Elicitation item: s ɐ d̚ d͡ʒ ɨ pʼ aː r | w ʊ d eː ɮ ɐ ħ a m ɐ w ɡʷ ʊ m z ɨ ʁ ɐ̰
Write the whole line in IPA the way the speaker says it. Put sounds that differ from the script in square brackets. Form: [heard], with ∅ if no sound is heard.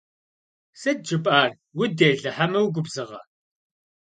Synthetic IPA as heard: s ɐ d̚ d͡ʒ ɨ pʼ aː r | w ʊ d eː ɮ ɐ ħ a m ɐ w ɡʷ ʊ [b] z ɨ ʁ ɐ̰